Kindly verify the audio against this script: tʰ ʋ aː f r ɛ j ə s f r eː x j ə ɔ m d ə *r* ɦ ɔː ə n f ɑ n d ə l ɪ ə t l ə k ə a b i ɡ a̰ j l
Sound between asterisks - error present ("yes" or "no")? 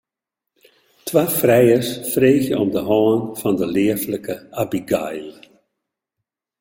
yes